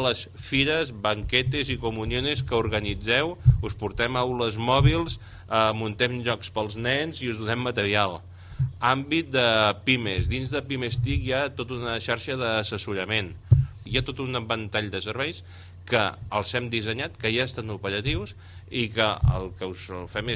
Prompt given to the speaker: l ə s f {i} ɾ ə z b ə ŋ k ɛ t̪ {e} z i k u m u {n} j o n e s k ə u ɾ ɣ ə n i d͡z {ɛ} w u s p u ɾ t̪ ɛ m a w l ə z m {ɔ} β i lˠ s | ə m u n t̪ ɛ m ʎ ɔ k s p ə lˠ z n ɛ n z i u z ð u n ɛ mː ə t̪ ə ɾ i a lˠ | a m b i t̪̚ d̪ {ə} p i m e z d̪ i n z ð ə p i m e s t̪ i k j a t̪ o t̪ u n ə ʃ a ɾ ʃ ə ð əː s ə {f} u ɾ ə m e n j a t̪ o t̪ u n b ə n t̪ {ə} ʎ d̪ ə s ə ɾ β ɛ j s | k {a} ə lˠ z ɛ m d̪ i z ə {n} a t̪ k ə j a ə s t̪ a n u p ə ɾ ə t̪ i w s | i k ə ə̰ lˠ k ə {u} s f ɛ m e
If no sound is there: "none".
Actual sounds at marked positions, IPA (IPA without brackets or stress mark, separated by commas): i, e, n, ɛ, ɔ, ə, s, a, ə, ɲ, u